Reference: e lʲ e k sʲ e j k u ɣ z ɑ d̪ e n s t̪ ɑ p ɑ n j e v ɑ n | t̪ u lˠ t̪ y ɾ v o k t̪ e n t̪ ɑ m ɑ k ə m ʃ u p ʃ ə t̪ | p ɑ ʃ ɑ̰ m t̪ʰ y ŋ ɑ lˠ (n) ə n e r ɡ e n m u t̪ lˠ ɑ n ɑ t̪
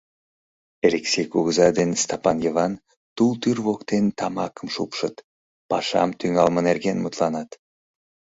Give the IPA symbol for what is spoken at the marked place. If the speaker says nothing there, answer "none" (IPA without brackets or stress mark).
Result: m